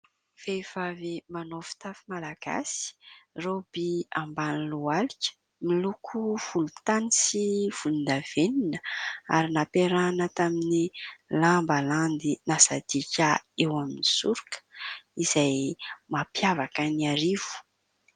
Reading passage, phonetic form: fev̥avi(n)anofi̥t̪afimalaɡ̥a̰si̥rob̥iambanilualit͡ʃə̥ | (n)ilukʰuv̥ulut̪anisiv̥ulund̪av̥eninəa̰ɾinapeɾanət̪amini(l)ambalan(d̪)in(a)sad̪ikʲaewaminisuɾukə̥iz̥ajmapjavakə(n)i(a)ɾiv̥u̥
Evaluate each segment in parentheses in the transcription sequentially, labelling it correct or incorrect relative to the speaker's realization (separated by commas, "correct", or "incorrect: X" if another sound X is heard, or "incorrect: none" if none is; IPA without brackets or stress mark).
incorrect: m, incorrect: m, correct, correct, correct, correct, correct